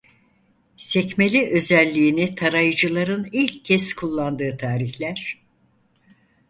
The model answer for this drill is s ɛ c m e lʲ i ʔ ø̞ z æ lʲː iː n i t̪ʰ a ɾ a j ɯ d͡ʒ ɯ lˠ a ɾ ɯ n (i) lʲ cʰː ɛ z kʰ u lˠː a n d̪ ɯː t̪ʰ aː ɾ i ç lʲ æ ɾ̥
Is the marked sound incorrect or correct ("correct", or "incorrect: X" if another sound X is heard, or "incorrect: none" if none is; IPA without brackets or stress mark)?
correct